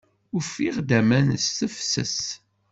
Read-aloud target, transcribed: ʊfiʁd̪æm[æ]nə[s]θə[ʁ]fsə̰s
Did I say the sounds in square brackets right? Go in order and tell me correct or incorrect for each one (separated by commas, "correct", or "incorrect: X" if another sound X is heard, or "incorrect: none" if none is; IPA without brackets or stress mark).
correct, correct, incorrect: none